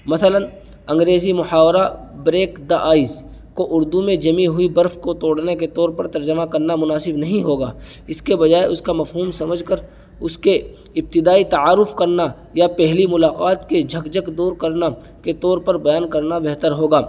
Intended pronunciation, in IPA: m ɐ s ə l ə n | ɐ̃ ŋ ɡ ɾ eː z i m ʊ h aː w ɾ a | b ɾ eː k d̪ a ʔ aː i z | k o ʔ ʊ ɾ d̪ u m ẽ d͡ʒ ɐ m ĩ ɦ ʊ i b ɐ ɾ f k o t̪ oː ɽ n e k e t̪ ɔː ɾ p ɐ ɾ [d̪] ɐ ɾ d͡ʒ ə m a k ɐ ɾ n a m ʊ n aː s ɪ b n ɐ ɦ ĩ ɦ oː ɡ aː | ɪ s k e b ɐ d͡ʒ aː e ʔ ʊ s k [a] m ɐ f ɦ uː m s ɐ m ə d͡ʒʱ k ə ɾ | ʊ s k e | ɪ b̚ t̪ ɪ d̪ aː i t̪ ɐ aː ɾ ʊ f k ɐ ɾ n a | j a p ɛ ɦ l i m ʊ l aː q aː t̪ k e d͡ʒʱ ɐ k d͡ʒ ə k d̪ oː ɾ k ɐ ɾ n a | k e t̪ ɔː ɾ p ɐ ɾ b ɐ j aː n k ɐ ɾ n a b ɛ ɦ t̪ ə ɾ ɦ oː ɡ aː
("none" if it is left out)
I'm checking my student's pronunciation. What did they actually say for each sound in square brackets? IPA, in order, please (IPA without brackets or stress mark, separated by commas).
t̪, a